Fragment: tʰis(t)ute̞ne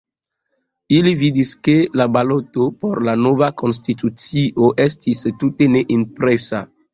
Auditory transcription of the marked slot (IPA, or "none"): t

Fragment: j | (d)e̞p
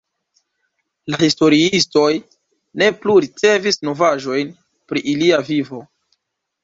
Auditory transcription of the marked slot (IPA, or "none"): n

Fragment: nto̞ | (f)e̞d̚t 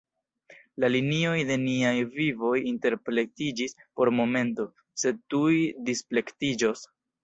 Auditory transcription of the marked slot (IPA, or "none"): s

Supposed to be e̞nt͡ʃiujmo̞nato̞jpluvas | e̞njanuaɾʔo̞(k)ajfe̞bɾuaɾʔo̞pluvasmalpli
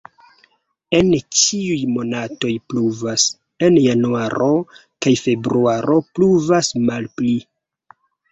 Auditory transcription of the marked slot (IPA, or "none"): k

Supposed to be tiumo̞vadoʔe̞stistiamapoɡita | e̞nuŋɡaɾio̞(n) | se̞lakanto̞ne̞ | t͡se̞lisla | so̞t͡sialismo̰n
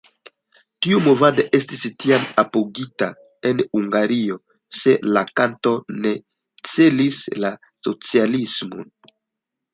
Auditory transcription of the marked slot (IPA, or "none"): none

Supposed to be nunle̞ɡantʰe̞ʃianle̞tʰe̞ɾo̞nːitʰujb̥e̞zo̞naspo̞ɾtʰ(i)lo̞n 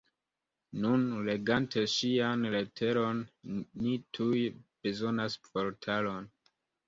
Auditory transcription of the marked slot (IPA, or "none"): a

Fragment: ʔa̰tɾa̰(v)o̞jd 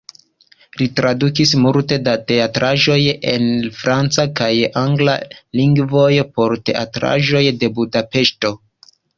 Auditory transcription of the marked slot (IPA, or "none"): ʒ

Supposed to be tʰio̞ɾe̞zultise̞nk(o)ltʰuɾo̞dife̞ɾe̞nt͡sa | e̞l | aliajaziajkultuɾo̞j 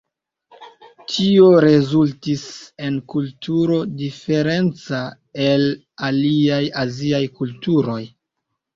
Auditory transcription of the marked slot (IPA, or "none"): u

